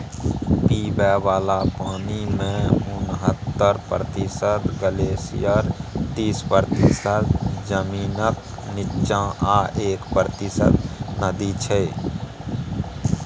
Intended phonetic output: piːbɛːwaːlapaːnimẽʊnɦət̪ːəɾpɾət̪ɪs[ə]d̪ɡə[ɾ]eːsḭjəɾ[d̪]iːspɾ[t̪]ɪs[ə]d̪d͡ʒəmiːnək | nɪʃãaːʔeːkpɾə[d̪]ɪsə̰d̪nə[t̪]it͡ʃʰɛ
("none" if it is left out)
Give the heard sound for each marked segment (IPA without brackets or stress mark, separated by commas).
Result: ə, l, t̪, t̪, ə, t̪, d̪